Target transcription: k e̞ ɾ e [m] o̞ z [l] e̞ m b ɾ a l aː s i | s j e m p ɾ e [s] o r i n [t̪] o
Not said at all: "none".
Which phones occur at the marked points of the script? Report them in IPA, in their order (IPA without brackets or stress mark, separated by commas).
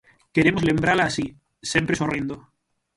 m, l, s, d̪